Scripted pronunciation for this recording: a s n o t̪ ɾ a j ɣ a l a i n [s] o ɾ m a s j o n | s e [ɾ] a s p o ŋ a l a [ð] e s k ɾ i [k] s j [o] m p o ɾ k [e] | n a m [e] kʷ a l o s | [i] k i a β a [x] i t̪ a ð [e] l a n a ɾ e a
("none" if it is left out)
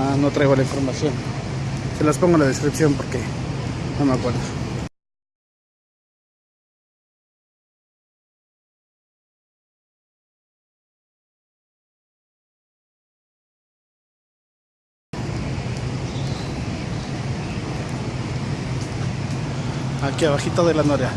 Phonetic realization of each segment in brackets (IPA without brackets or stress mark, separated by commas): f, l, ð, p, o, e, a, a, x, e